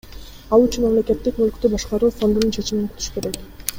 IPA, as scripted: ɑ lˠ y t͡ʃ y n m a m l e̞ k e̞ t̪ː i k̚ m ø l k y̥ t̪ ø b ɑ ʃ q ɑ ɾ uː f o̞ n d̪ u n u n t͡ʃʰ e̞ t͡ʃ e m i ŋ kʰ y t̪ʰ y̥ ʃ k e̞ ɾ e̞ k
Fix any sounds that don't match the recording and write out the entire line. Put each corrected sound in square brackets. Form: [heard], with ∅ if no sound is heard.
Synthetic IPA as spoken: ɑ lˠ y t͡ʃ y n m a m l e̞ k e̞ t̪ː i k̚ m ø l k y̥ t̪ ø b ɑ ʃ q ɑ ɾ uː f o̞ n d̪ u n u n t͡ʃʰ e̞ t͡ʃ [i] m i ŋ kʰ y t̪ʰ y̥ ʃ k e̞ ɾ e̞ k